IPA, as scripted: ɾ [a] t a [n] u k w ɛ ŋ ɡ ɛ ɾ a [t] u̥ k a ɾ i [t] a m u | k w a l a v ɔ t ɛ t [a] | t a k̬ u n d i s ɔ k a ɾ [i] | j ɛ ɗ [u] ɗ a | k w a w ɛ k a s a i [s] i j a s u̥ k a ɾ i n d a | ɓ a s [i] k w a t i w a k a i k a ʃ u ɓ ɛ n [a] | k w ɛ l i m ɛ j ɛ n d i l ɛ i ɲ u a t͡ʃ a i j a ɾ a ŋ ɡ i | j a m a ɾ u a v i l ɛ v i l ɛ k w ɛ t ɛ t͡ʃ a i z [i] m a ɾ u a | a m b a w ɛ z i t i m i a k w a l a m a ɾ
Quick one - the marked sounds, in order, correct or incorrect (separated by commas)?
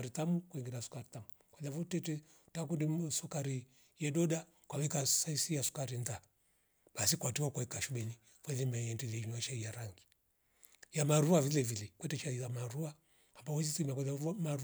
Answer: incorrect, incorrect, incorrect, correct, incorrect, correct, incorrect, correct, correct, incorrect, incorrect